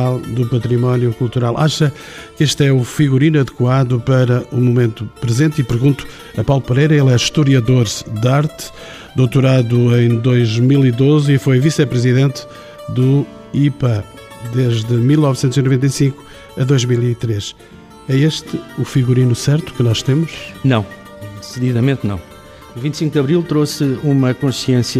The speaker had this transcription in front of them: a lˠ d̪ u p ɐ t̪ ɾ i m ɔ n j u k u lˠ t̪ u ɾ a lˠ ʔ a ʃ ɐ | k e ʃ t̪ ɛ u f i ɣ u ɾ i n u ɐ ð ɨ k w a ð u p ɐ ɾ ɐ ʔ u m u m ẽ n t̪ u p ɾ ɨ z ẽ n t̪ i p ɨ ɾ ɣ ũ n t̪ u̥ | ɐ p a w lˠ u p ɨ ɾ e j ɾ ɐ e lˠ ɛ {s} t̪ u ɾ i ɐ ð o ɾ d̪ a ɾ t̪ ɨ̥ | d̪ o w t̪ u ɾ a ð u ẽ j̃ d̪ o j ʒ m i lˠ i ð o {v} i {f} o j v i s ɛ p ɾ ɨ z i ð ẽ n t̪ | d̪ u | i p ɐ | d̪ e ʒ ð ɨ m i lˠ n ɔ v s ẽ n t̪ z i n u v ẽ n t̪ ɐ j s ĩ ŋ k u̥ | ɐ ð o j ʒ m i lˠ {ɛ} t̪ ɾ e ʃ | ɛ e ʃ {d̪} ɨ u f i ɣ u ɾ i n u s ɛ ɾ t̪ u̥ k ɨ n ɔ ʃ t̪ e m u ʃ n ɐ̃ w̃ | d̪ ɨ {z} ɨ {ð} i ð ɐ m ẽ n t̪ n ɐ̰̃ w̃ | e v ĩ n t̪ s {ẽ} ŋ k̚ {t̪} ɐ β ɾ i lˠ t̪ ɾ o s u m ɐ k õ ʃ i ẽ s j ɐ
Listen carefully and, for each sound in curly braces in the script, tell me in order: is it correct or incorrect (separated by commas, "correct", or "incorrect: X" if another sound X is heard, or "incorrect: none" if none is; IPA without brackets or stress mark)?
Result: incorrect: ʃ, incorrect: z, correct, incorrect: i, incorrect: t̪, incorrect: s, correct, incorrect: ĩ, incorrect: d̪